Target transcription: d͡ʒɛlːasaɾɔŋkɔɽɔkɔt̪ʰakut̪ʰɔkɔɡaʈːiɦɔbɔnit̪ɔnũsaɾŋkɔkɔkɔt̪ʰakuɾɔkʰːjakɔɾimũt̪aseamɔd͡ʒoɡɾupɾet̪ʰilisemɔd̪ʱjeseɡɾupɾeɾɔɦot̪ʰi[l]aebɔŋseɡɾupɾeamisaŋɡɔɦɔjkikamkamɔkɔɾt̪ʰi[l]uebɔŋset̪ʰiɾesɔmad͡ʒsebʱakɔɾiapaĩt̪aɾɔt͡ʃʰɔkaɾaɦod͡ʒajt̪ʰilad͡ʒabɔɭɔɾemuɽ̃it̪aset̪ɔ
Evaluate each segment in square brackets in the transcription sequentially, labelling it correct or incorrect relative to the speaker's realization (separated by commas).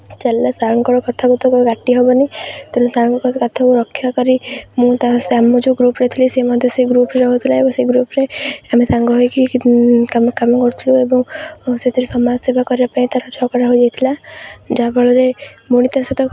correct, correct